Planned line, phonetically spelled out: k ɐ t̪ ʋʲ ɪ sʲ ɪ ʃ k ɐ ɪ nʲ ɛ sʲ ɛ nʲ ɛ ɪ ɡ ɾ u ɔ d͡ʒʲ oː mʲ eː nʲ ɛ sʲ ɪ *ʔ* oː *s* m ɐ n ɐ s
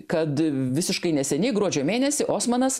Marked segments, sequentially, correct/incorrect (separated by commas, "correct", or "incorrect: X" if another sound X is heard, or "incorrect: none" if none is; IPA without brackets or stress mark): correct, correct